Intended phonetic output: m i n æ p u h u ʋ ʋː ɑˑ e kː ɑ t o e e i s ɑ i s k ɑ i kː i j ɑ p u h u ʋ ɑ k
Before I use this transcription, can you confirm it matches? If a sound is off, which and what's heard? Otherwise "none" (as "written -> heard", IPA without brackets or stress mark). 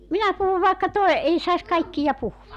ʋː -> ʋ